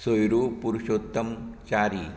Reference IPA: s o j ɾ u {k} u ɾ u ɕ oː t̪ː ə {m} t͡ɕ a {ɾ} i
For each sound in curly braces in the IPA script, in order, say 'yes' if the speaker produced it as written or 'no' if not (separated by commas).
no, yes, yes